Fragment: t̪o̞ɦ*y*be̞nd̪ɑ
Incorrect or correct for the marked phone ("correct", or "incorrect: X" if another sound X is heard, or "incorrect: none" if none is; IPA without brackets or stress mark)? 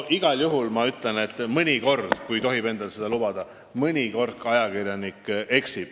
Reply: incorrect: i